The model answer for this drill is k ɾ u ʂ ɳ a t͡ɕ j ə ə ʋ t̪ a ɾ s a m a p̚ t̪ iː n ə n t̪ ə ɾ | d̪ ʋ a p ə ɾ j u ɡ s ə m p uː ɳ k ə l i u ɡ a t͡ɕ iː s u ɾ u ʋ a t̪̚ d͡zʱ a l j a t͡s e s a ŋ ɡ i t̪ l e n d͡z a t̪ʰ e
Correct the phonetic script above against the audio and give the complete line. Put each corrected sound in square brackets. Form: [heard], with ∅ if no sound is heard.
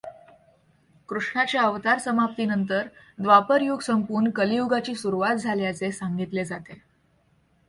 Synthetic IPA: k ɾ u ʂ ɳ a t͡ɕ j [a] ə ʋ t̪ a ɾ s [ə] m a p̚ t̪ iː n ə n t̪ ə ɾ | d̪ ʋ a p ə ɾ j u ɡ s ə m p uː ɳ k ə l i u ɡ a t͡ɕ iː s u ɾ u ʋ a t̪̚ d͡zʱ a l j a t͡s e s a ŋ ɡ i t̪ l e [∅] d͡z a [t̪] e

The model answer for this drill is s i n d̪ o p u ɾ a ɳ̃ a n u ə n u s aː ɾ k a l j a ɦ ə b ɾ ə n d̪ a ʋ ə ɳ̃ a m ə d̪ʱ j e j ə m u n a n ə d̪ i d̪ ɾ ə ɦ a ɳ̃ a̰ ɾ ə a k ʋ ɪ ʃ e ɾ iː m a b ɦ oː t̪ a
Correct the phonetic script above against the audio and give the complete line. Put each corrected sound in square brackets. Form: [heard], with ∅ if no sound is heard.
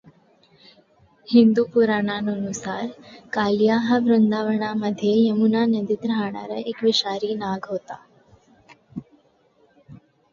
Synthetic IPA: [h] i n d̪ [u] p u ɾ a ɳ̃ a n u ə n u s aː ɾ k a l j a ɦ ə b ɾ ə n d̪ a ʋ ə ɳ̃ a m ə d̪ʱ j e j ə m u n a n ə d̪ i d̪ ɾ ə ɦ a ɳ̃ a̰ ɾ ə [e] k ʋ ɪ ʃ [a] ɾ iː [n] a [ɡ] ɦ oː t̪ a

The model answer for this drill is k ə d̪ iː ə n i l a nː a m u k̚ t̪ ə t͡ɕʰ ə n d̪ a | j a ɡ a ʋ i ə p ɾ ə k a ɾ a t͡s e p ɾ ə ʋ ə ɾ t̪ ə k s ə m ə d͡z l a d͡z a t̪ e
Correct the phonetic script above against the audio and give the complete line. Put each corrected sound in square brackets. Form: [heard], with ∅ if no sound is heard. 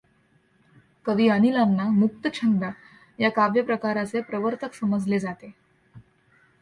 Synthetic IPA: k ə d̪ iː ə n i l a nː a m u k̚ t̪ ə t͡ɕʰ ə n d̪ a | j a [k] a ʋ [j] ə p ɾ ə k a ɾ a t͡s e p ɾ ə ʋ ə ɾ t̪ ə k s ə m ə d͡z l [e] d͡z a t̪ e

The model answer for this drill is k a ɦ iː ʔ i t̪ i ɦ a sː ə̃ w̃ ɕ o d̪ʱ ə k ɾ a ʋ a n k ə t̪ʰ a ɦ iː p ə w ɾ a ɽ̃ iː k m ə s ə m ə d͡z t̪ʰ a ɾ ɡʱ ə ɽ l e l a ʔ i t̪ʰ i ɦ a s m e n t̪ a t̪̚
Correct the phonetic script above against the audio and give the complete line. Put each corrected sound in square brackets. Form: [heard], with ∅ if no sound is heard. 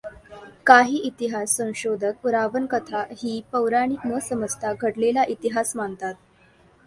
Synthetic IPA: k a ɦ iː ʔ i t̪ i ɦ a sː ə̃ w̃ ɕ o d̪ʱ ə k ɾ a ʋ [ə] n k ə t̪ʰ a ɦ iː p ə w ɾ a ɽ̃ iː k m ə s ə m ə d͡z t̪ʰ a [∅] ɡʱ ə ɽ l e l a ʔ i [t̪] i ɦ a s m [a] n t̪ a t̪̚

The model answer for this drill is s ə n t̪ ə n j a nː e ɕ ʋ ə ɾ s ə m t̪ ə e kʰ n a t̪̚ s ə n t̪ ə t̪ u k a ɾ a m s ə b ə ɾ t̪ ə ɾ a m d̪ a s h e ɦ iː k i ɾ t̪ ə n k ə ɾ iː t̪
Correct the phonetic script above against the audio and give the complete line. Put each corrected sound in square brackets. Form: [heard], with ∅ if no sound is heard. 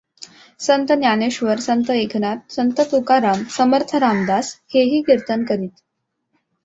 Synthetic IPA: s ə n t̪ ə n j a [n] e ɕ ʋ ə ɾ s ə [n] t̪ ə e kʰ n a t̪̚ s ə n t̪ ə t̪ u k a ɾ a m s ə [m] ə ɾ [t̪ʰ] ə ɾ a m d̪ a s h e ɦ iː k i ɾ t̪ ə n k ə ɾ iː t̪

